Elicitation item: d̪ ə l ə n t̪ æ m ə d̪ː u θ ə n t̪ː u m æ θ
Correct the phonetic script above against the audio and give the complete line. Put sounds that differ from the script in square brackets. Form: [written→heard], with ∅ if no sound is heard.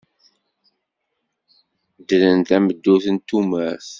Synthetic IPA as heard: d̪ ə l ə n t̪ æ m ə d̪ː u θ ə n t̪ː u m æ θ

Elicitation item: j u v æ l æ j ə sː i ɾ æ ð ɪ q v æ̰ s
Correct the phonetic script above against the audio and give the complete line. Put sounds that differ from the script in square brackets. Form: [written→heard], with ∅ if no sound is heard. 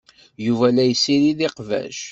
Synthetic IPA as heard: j u v æ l æ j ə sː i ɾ [æ→i] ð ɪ q v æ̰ [s→ʃ]

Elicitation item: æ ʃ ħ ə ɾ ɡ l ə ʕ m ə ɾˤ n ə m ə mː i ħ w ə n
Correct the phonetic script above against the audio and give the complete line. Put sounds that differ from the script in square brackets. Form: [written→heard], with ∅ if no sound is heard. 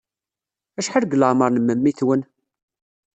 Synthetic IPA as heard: æ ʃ ħ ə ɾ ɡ l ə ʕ m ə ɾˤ n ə m ə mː i [ħ→θ] w ə n

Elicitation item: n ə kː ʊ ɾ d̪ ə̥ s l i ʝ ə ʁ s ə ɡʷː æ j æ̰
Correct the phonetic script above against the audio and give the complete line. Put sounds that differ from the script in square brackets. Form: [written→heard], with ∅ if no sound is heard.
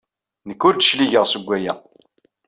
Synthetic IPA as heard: n ə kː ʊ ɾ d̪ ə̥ [s→ʃ] l i ʝ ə ʁ s ə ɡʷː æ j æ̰

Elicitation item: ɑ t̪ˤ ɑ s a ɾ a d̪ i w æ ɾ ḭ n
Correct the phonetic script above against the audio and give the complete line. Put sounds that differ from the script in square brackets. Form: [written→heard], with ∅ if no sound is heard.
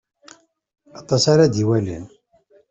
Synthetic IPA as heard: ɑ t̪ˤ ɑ s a ɾ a d̪ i w æ [ɾ→l] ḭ n

